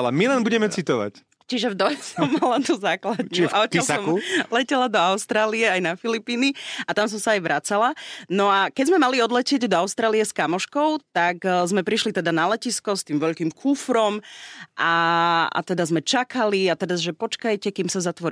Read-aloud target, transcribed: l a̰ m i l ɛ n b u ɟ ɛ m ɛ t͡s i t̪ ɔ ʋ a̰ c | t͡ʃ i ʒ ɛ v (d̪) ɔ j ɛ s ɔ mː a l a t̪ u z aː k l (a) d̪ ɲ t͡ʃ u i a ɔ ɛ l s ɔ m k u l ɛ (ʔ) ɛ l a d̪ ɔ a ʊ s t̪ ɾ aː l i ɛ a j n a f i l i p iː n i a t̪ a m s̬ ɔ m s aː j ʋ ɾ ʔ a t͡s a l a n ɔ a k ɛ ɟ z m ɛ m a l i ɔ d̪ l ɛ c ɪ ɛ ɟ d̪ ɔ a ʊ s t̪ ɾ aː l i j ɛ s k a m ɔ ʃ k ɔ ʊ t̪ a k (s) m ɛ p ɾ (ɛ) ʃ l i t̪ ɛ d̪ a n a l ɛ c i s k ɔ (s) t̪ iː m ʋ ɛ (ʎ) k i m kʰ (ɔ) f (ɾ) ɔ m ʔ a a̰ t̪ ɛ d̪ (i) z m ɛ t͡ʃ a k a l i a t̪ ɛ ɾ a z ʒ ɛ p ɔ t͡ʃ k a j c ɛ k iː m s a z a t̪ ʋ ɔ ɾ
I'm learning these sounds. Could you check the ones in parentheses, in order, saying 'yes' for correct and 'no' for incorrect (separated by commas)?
yes, yes, no, no, no, yes, yes, no, yes, no